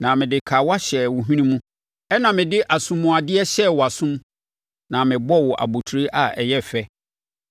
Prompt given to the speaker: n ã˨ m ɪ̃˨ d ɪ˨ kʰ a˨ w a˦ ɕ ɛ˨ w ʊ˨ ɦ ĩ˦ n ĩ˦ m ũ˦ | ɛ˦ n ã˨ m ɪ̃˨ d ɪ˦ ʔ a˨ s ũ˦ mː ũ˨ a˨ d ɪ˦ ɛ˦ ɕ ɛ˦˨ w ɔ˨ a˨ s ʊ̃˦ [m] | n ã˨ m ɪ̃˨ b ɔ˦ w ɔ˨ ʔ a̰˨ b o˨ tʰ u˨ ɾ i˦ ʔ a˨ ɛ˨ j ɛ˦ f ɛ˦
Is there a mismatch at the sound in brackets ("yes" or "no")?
no